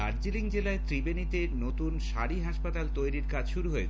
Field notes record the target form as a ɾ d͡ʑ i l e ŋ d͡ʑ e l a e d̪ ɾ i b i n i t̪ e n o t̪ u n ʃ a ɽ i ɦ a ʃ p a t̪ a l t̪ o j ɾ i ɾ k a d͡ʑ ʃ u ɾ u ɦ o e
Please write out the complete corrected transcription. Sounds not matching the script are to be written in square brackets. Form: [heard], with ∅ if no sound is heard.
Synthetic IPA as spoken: a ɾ d͡ʑ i l [i] ŋ d͡ʑ e l a e [t̪] ɾ i b [e] n i t̪ e n o t̪ u n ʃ a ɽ i ɦ a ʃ p a t̪ a l t̪ o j ɾ i ɾ k a d͡ʑ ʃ u ɾ u ɦ o e

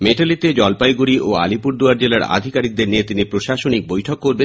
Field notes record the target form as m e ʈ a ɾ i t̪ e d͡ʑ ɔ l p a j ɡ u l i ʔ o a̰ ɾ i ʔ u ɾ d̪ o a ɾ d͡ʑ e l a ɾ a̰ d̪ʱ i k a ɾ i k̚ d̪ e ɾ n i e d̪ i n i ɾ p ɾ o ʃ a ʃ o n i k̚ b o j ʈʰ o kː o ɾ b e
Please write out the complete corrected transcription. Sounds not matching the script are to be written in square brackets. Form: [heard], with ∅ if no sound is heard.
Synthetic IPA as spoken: m e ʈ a [l] i t̪ e d͡ʑ ɔ l p a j ɡ u [ɾ] i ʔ o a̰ [l] i [p] u ɾ d̪ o a ɾ d͡ʑ e l a ɾ a̰ d̪ʱ i k a ɾ i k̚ d̪ e ɾ n i e [t̪] i n i [∅] p ɾ o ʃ a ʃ o n i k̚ b o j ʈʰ o kː o ɾ b e

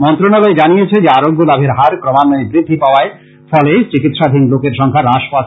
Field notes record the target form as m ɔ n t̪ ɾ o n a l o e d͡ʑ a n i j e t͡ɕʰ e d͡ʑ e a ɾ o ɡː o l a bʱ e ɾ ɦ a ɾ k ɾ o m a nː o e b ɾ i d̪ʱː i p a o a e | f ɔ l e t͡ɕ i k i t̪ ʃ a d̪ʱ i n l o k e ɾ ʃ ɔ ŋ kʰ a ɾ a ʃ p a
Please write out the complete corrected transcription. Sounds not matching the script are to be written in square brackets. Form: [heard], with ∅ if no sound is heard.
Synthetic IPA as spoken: m ɔ n t̪ ɾ o n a l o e d͡ʑ a n i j e t͡ɕʰ e d͡ʑ e a ɾ o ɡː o l a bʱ e ɾ ɦ a ɾ k ɾ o m a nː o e b ɾ i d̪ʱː i p a o a e | f ɔ l e t͡ɕ i k i t̪ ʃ a d̪ʱ i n l o k e ɾ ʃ ɔ ŋ kʰ a ɾ a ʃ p a

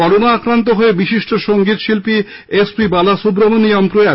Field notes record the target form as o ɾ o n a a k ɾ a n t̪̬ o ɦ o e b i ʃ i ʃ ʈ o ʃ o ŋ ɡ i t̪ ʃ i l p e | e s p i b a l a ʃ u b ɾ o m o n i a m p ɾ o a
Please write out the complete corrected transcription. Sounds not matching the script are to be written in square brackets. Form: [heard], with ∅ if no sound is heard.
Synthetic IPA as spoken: [ɔ] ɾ o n a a k ɾ a n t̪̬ o ɦ o e b i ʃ i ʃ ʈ o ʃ o ŋ ɡ i t̪ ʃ i l p [i] | e s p i b a l a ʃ u b ɾ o m o n i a m p ɾ o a

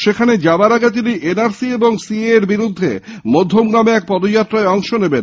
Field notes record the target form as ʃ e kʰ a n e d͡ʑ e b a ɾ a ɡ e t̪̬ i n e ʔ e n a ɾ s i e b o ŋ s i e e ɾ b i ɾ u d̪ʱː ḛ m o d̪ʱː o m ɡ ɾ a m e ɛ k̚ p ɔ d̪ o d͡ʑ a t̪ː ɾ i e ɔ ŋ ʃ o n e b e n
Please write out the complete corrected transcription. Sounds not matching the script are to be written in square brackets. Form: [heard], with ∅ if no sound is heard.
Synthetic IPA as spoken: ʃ e kʰ a n e d͡ʑ [a] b a ɾ a ɡ e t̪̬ i n [i] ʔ e n a ɾ s i e b o ŋ s i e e ɾ b i ɾ u d̪ʱː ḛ m o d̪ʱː o m ɡ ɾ a m e ɛ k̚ p ɔ d̪ o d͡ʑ a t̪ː ɾ [a] e ɔ ŋ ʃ o n e b e n

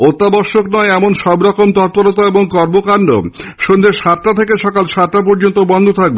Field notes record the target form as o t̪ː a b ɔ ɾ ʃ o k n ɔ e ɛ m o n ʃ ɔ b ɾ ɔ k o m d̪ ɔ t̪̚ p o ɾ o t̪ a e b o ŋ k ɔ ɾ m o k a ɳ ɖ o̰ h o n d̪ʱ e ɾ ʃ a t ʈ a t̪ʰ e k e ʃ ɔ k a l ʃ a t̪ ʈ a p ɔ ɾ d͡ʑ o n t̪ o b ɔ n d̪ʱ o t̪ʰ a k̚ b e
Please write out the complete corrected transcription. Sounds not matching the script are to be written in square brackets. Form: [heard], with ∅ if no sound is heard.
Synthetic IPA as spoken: o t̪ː a b ɔ ɾ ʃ o k n ɔ e ɛ m o n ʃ ɔ b ɾ ɔ k o m [t̪] ɔ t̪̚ p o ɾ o t̪ a e b o ŋ k ɔ ɾ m o k a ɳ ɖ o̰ [ʃ] o n d̪ʱ e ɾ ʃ a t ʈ a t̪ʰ e k e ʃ ɔ k a l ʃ a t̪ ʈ a p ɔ ɾ d͡ʑ o n t̪ o b ɔ n d̪ʱ o t̪ʰ a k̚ b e

